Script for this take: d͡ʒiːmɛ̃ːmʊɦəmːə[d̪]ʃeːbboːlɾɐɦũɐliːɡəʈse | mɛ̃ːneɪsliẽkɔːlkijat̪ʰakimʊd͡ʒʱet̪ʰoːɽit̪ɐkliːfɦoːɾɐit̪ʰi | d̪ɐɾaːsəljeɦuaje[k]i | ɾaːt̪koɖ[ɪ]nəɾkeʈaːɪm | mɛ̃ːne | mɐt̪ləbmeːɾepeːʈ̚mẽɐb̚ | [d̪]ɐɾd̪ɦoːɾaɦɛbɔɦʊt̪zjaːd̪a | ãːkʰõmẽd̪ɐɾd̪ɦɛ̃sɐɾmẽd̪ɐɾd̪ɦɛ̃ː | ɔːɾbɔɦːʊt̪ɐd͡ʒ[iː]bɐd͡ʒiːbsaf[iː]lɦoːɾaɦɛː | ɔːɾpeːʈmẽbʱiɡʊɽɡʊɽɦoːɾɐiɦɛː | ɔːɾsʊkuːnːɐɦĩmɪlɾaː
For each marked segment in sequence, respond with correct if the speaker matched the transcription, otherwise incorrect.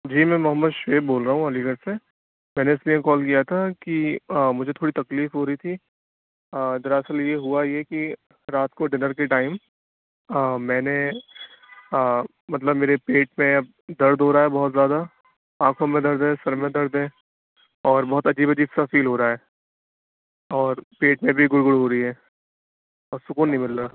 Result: correct, correct, correct, correct, correct, correct

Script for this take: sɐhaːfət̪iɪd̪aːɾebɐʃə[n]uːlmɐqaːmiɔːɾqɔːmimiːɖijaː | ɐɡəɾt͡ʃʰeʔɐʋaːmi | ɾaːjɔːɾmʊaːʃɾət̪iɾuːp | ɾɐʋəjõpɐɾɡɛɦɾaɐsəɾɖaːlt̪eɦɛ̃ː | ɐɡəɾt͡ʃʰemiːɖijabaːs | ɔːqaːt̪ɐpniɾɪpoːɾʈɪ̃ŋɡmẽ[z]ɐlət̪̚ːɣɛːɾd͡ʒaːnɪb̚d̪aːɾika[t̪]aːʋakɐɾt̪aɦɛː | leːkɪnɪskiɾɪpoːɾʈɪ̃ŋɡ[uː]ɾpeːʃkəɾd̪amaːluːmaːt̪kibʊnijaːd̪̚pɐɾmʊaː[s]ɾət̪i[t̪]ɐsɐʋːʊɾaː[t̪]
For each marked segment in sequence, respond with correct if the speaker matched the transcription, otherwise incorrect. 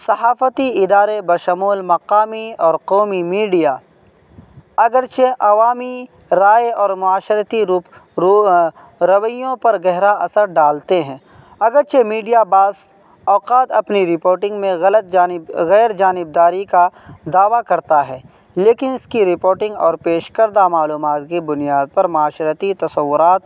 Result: incorrect: m, incorrect: ɣ, incorrect: d̪, incorrect: ɔː, incorrect: ʃ, correct, correct

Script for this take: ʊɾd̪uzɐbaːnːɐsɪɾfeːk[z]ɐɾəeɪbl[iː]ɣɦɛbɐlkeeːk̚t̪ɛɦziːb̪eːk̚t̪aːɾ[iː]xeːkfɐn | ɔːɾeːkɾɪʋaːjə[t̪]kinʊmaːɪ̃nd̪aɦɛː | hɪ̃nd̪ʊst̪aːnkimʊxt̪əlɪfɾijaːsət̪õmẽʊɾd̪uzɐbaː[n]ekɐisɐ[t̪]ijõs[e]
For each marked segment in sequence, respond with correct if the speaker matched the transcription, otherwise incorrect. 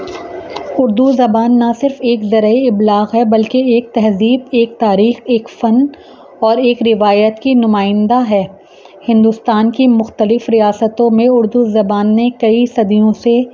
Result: correct, incorrect: aː, correct, correct, incorrect: nː, incorrect: d̪, correct

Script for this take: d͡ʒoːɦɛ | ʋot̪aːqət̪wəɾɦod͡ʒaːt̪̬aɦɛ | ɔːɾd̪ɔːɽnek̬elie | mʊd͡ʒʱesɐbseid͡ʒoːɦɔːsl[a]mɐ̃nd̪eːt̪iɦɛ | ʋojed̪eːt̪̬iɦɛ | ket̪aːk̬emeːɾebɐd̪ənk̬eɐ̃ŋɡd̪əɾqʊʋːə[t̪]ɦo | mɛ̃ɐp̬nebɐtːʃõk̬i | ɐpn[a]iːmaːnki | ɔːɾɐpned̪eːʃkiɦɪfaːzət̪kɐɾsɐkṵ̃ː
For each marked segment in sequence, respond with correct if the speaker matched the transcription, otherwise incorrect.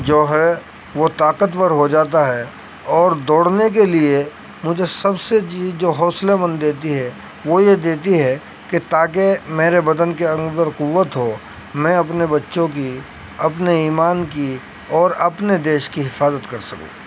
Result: incorrect: e, correct, incorrect: e

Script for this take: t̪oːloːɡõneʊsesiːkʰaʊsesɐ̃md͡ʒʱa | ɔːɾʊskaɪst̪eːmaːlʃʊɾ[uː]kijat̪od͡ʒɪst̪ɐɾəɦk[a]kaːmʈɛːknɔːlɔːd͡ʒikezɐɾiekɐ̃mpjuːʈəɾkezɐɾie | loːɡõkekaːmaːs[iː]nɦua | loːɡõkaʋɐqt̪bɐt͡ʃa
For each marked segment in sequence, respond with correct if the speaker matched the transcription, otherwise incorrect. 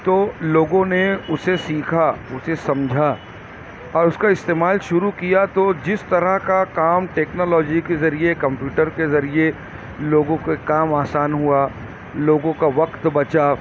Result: incorrect: u, correct, incorrect: aː

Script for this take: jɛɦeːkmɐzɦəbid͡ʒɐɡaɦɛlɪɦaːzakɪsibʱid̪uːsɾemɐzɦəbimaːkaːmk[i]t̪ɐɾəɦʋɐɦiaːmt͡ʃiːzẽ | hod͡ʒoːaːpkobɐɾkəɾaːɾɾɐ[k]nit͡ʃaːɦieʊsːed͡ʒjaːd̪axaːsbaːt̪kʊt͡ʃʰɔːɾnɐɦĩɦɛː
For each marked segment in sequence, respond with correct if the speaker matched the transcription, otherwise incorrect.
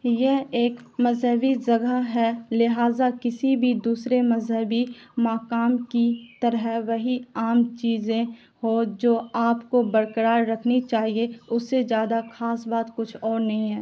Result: correct, incorrect: kʰ

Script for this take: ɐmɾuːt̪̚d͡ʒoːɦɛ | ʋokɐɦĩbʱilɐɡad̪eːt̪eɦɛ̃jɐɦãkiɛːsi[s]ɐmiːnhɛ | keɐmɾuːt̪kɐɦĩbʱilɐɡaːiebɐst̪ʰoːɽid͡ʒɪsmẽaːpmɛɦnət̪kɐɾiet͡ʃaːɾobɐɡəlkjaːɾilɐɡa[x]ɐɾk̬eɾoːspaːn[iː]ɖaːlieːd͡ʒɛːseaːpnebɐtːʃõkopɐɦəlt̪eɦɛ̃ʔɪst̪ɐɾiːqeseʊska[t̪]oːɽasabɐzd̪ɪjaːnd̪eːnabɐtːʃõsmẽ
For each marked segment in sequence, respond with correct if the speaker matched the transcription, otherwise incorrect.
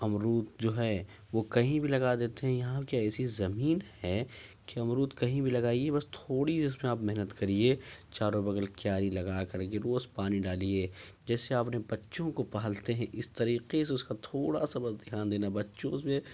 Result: incorrect: z, incorrect: k, incorrect: i, incorrect: t̪ʰ

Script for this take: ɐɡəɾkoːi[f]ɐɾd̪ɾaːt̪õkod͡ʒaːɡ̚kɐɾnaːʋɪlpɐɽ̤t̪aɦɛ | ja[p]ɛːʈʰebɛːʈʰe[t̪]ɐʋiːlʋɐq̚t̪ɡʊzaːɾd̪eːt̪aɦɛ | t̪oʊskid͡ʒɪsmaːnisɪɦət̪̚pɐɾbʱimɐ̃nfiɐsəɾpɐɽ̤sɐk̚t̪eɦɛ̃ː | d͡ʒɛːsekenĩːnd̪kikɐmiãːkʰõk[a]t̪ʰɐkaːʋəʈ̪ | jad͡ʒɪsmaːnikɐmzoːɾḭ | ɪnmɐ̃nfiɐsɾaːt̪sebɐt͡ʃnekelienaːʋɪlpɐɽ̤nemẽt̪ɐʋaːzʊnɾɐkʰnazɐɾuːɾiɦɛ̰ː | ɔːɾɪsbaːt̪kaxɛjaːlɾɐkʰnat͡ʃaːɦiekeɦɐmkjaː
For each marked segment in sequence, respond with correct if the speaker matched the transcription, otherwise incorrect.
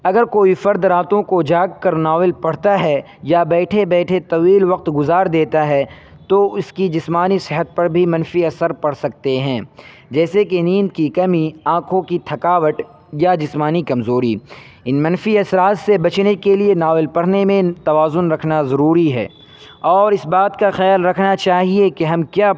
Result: correct, incorrect: b, correct, incorrect: i

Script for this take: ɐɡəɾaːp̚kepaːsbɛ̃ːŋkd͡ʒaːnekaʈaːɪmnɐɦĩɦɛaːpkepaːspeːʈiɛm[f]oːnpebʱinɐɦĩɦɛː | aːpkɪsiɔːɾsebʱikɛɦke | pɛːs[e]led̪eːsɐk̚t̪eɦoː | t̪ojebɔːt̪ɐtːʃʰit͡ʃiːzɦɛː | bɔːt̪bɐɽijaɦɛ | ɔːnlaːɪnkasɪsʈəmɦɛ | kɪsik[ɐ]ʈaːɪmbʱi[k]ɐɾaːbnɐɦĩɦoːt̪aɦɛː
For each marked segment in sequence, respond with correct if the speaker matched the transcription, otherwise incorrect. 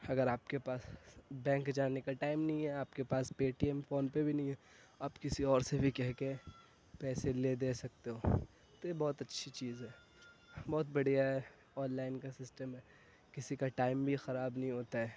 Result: correct, correct, incorrect: a, incorrect: x

